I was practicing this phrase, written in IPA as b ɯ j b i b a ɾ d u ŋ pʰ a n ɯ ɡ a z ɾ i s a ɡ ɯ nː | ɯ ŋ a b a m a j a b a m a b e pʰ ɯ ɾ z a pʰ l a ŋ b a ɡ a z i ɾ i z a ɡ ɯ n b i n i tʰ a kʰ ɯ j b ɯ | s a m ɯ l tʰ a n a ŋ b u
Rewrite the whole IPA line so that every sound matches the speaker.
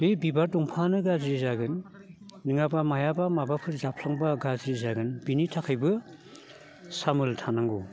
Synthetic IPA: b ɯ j b i b a ɾ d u ŋ pʰ a n ɯ ɡ a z ɾ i z a ɡ ɯ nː | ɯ ŋ a b a m a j a b a m a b a pʰ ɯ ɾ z a pʰ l a ŋ b a ɡ a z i ɾ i z a ɡ ɯ n b i n i tʰ a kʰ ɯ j b ɯ | s a m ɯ l tʰ a n a ŋ ɡ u